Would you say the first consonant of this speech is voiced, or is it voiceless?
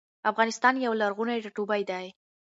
voiceless